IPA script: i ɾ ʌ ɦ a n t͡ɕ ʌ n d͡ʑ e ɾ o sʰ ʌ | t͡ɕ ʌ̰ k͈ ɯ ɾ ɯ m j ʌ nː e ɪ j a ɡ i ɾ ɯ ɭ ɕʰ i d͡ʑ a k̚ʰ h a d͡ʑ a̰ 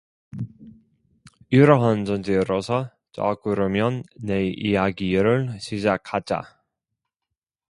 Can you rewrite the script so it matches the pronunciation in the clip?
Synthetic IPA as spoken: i ɾ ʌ ɦ a n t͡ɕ ʌ n d͡ʑ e ɾ o sʰ ʌ | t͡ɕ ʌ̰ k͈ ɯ ɾ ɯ m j ʌ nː e i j a ɡ i ɾ ɯ ɭ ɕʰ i d͡ʑ a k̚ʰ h a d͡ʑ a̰

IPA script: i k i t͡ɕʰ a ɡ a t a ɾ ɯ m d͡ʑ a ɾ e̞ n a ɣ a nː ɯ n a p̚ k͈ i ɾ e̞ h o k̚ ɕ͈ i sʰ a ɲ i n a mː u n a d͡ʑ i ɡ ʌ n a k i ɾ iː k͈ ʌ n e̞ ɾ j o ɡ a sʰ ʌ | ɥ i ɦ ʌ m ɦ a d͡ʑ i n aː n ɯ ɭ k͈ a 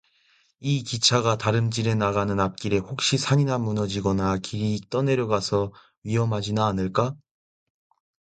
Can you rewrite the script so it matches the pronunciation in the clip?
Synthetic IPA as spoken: i k i t͡ɕʰ a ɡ a t a ɾ ɯ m d͡ʑ i ɾ e̞ n a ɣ a n ɯ n a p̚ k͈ i ɾ e̞ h o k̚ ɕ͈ i sʰ a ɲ i n a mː u n ʌ d͡ʑ i ɡ ʌ n a k i ɾ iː t͈ ʌ n e̞ ɾ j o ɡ a sʰ ʌ | ɥ i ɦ ʌ m ɦ a d͡ʑ i n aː n ɯ ɭ k͈ a

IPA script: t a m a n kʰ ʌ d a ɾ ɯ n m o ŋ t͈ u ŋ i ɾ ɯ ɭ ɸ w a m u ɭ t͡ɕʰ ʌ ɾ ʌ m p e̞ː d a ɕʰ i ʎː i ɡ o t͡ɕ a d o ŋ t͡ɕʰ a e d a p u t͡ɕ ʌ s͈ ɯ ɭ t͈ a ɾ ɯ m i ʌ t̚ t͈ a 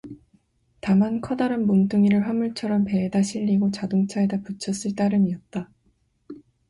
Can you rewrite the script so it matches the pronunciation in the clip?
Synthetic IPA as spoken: t a m a n kʰ ʌ d a ɾ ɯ n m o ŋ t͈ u ŋ i ɾ ɯ ɭ ɸ w a m u ɭ t͡ɕʰ ʌ ɾ ʌ m p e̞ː d a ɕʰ i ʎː i ɡ o t͡ɕ a d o ŋ t͡ɕʰ a e d a p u t͡ɕʰ ʌ s͈ ɯ ɭ t͈ a ɾ ɯ m i ʌ t̚ t͈ a

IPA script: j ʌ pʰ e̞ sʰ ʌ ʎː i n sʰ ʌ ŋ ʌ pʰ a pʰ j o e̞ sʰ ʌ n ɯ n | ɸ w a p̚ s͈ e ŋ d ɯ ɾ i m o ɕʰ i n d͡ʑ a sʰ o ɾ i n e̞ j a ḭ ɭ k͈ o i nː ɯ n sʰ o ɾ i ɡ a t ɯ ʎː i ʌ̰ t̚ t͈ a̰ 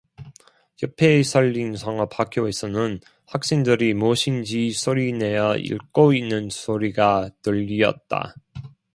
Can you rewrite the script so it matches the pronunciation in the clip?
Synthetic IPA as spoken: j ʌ pʰ e̞ sʰ ʌ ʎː i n sʰ ʌ ŋ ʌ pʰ a kʰ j o e̞ sʰ ʌ n ɯ n | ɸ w a k̚ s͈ e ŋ d ɯ ɾ i m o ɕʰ i n d͡ʑ i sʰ o ɾ i n e̞ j ʌ ḭ ɭ k͈ o i nː ɯ n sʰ o ɾ i ɡ a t ɯ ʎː i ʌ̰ t̚ t͈ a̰

